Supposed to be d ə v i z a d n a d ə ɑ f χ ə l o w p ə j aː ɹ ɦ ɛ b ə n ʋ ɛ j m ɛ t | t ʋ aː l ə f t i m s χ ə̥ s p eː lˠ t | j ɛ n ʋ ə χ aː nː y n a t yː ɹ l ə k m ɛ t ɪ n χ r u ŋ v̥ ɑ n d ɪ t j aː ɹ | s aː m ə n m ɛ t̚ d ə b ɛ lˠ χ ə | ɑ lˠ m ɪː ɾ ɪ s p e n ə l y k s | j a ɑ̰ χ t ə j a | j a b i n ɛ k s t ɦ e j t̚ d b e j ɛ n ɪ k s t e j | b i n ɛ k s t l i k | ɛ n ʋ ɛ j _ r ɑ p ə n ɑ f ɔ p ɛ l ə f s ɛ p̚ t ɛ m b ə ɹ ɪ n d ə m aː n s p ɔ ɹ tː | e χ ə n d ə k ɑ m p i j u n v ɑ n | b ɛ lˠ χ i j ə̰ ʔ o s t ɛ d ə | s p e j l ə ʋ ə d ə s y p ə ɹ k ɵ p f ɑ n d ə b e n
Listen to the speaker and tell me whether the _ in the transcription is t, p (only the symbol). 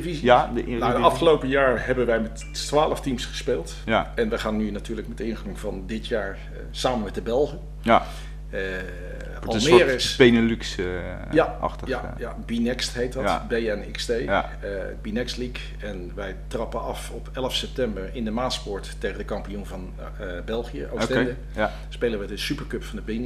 t